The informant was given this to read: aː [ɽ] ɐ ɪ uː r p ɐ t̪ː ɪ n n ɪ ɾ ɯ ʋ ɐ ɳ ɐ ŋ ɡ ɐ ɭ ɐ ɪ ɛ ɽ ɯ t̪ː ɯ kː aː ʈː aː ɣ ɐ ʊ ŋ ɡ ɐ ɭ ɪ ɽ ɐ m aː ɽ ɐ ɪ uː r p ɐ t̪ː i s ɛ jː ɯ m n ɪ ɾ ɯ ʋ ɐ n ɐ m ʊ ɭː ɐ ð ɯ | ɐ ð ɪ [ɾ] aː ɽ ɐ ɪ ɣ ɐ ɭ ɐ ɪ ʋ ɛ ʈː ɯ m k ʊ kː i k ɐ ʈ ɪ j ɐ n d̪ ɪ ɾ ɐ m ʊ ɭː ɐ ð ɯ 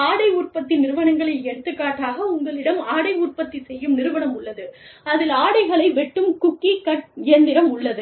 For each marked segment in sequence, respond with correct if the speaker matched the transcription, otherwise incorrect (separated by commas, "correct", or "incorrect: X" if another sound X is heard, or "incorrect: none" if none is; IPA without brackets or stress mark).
correct, incorrect: l